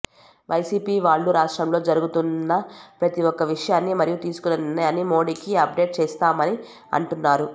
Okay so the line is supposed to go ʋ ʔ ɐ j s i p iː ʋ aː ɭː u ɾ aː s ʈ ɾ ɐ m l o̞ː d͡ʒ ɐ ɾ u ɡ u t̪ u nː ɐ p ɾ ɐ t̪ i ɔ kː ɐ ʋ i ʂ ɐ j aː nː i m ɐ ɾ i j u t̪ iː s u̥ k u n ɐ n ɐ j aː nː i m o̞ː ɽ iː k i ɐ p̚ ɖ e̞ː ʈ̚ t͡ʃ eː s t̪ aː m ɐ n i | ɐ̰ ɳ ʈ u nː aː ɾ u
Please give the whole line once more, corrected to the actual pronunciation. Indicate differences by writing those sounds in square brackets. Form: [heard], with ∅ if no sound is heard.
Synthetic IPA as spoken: ʋ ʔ ɐ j s [iː] p iː ʋ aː ɭː u ɾ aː [ʂ] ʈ ɾ ɐ m l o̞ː d͡ʒ ɐ ɾ u ɡ u t̪ u nː ɐ p ɾ ɐ t̪ i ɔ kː ɐ ʋ i ʂ ɐ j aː nː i m ɐ ɾ i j u t̪ iː s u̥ k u n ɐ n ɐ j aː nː i m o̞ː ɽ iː k i ɐ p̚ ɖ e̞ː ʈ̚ t͡ʃ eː s t̪ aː m ɐ n i | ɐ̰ ɳ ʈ u nː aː ɾ u